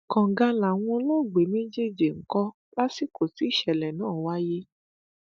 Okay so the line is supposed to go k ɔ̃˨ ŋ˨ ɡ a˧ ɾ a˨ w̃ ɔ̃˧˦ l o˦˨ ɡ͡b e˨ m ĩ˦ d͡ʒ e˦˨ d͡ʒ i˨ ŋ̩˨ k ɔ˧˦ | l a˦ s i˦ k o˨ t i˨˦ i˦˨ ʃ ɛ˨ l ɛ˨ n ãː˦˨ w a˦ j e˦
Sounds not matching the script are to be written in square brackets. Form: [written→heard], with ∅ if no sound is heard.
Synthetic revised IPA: k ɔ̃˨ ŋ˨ ɡ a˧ [ɾ→l] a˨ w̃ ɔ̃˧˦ l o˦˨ ɡ͡b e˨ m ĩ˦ d͡ʒ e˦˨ d͡ʒ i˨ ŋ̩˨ k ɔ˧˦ | l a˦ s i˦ k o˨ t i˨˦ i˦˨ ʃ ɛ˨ l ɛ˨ n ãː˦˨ w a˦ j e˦